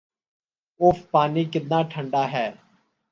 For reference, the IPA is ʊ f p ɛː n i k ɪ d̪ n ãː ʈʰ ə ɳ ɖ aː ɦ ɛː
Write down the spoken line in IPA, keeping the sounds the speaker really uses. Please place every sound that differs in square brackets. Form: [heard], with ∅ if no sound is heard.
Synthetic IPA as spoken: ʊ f p [aː] n [iː] k ɪ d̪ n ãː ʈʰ ə ɳ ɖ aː ɦ ɛː

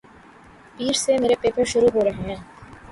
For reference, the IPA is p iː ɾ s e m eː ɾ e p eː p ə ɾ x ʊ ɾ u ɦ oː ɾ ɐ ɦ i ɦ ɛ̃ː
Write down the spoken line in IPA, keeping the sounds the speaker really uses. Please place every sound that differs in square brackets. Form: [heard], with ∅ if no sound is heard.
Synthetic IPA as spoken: p iː ɾ s e m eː ɾ e p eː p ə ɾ [ʃ] ʊ ɾ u ɦ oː ɾ ɐ ɦ [e] ɦ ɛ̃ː

